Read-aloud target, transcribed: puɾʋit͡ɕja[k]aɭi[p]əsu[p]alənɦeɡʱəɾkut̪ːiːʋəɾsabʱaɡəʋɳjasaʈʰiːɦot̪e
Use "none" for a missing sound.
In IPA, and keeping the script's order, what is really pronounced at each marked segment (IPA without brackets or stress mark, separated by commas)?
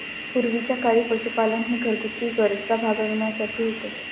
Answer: k, p, p